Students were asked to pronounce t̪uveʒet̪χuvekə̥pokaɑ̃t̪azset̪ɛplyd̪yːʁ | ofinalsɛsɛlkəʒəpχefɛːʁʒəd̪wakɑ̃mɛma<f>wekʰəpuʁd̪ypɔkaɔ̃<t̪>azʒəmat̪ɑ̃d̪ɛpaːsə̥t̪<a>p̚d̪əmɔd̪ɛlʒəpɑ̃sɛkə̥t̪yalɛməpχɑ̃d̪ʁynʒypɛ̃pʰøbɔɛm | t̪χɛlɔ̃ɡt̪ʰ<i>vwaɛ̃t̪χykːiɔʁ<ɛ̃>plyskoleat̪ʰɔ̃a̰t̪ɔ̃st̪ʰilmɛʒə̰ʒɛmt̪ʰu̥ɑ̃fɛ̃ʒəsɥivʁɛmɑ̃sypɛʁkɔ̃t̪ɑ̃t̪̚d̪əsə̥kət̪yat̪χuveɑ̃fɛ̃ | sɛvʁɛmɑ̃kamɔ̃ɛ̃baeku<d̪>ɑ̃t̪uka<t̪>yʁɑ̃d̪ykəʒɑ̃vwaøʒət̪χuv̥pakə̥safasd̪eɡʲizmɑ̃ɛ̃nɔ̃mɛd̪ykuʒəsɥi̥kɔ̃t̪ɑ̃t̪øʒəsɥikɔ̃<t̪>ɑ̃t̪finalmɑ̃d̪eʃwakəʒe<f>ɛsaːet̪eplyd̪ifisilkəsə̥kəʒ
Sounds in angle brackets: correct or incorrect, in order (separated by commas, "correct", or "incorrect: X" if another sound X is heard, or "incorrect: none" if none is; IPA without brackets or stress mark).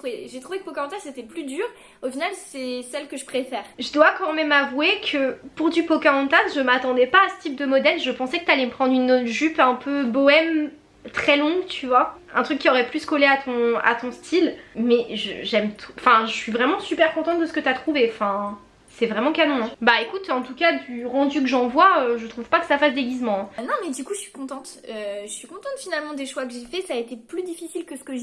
incorrect: v, correct, incorrect: i, incorrect: y, incorrect: ɛ, incorrect: t̪, incorrect: d̪, correct, correct